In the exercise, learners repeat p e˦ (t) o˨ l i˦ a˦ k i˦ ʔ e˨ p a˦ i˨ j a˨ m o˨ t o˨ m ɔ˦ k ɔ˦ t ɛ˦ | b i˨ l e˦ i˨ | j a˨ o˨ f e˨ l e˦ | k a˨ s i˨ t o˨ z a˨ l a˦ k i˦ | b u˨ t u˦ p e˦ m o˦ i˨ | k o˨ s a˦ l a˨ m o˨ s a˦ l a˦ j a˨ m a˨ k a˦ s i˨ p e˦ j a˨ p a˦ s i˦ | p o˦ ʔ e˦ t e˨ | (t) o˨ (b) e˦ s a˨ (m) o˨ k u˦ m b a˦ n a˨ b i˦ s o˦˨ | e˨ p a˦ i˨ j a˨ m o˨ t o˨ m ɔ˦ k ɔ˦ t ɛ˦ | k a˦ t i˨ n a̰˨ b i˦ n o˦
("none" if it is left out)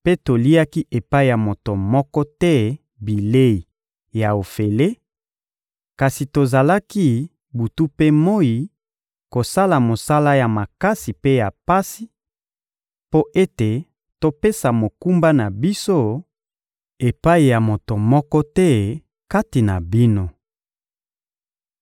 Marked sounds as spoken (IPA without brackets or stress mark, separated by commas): t, t, p, m